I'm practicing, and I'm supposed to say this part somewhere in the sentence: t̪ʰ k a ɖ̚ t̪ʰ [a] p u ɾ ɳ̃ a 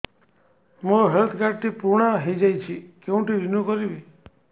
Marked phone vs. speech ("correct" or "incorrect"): incorrect